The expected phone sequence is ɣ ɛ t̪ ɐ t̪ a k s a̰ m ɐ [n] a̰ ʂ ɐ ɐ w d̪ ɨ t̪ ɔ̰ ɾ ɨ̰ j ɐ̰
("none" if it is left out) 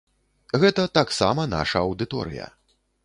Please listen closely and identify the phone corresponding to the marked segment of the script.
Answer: n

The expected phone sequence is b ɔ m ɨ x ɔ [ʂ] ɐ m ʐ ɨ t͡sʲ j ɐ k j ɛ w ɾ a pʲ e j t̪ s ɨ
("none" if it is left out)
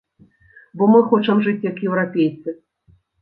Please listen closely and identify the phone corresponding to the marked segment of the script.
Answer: t͡ʂ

